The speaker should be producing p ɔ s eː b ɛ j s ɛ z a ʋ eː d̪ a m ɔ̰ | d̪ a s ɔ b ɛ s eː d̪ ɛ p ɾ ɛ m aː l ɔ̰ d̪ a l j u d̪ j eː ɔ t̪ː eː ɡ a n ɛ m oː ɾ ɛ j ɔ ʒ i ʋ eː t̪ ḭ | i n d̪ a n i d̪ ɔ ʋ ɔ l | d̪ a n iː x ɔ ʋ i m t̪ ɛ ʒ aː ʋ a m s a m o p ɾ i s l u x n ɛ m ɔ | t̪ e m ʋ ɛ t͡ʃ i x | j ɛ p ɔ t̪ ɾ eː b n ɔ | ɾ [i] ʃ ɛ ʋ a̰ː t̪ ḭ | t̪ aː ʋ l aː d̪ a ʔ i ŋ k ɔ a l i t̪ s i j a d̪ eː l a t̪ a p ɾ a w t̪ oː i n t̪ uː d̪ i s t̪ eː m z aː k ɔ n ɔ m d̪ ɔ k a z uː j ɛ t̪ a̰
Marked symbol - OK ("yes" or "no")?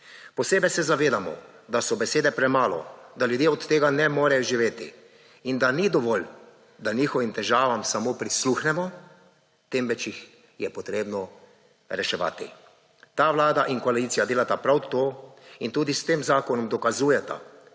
no